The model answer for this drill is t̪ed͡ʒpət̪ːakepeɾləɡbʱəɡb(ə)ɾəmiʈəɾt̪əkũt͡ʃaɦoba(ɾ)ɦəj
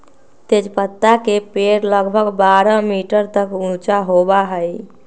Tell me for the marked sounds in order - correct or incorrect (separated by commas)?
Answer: incorrect, incorrect